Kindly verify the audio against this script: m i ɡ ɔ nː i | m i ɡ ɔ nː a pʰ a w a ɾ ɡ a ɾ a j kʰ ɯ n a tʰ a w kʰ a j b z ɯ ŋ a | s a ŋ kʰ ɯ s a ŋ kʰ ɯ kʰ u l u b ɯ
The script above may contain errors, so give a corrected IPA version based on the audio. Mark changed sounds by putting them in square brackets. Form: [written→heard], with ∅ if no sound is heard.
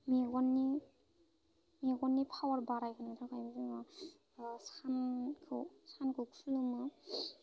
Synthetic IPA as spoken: m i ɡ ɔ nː i | m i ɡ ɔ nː [a→i] pʰ a w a ɾ [ɡ→b] a ɾ a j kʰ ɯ n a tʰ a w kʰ a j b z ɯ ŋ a | s a [ŋ→n] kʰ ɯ s a [ŋ→n] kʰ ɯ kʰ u l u [b→m] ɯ